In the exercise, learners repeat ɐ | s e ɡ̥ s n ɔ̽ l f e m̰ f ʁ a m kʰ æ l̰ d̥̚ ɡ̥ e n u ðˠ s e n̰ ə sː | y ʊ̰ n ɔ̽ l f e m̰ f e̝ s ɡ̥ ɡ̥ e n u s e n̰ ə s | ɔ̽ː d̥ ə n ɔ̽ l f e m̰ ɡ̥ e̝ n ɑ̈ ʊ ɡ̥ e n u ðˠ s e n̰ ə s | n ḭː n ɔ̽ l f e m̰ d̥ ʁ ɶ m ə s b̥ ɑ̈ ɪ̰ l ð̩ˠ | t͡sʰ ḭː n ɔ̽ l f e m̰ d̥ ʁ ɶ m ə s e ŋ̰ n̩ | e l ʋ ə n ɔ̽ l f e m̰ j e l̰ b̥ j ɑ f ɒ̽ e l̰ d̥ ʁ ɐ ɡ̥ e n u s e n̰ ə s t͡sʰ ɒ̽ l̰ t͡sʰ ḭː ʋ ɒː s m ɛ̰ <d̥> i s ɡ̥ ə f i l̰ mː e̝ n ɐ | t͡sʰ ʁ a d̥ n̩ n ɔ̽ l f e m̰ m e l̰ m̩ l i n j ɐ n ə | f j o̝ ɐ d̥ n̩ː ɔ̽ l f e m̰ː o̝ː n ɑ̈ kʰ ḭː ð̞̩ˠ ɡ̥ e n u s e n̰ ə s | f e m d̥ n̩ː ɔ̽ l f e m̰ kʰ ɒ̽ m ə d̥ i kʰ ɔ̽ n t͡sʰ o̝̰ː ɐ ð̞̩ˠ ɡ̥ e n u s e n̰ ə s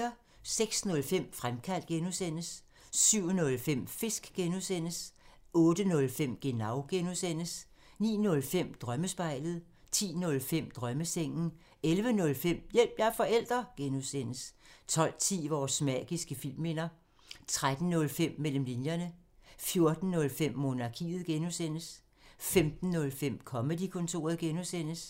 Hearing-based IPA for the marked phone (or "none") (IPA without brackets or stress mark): ɡ̥